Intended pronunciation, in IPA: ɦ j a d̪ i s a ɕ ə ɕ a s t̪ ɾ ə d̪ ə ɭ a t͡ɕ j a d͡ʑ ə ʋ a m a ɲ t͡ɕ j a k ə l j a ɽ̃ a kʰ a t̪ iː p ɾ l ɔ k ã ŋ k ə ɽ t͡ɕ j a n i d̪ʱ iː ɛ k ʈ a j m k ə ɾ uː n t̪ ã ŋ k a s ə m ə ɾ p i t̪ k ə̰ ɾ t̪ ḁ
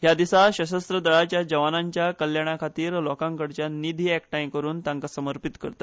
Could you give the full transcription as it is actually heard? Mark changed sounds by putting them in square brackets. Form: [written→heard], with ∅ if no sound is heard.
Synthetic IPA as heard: ɦ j a d̪ i s a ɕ ə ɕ [a→ə] s t̪ ɾ ə d̪ ə ɭ a t͡ɕ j a d͡ʑ ə ʋ a [m→n] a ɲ t͡ɕ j a k ə l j a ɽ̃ a kʰ a t̪ iː [p→∅] ɾ l ɔ k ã ŋ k ə ɽ t͡ɕ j a n i d̪ʱ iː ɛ k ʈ a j m k ə ɾ uː n t̪ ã ŋ k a s ə m ə ɾ p i t̪ k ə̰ ɾ t̪ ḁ